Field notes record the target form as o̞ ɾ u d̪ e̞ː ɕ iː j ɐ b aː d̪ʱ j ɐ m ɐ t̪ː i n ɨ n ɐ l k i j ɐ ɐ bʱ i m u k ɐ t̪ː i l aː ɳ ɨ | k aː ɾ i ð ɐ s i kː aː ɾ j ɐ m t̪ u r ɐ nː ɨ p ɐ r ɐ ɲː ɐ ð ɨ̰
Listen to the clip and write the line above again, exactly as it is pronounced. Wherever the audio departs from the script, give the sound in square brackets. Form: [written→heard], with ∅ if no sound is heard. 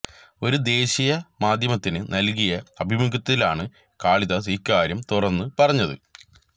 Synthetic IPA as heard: o̞ ɾ u d̪ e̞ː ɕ [iː→i] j ɐ [b→m] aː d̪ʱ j ɐ m ɐ t̪ː i n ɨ n ɐ l k i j ɐ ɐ bʱ i m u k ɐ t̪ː i l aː ɳ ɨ | k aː [ɾ→ɭ] i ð ɐ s i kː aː ɾ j ɐ m t̪ u r ɐ nː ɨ p ɐ r ɐ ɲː ɐ ð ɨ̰

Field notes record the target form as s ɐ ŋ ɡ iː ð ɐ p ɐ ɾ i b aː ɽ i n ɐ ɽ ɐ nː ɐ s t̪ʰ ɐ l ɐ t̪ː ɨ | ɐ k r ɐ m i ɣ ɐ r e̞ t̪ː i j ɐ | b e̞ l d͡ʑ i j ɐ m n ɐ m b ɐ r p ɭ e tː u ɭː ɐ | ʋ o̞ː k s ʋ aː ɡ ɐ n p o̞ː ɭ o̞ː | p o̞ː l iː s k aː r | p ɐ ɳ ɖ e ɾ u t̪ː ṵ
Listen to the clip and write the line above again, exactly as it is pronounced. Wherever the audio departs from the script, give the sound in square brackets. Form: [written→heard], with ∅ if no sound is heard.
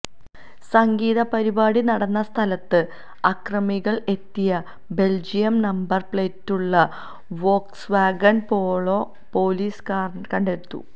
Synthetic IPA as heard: s ɐ ŋ ɡ iː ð ɐ p ɐ ɾ i b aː ɽ i n ɐ ɽ ɐ nː ɐ s t̪ʰ ɐ l ɐ t̪ː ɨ | ɐ k r ɐ m i ɣ ɐ [r→ɭ] e̞ t̪ː i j ɐ | b e̞ l d͡ʑ i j ɐ m n ɐ m b ɐ r p ɭ e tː u ɭː ɐ | ʋ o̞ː k s ʋ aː ɡ ɐ n p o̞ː ɭ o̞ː | p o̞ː l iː s k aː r | [p→k] ɐ ɳ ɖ e ɾ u t̪ː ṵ

